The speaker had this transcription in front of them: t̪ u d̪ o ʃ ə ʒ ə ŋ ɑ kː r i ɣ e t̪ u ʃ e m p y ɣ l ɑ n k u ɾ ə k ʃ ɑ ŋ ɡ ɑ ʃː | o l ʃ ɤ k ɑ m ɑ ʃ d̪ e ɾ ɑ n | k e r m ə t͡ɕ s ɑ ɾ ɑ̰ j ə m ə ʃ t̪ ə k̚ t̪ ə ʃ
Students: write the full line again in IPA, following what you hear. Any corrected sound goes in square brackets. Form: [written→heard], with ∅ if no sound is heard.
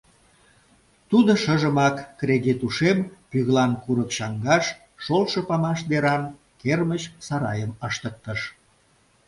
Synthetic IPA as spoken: t̪ u d̪ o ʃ ə ʒ ə [ŋ→m] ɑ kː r [i→e] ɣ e t̪ u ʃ e m p y ɣ l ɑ n k u ɾ ə k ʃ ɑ ŋ ɡ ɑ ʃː | o l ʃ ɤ [k→p] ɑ m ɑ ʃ d̪ e ɾ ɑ n | k e r m ə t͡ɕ s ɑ ɾ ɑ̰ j ə m ə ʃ t̪ ə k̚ t̪ ə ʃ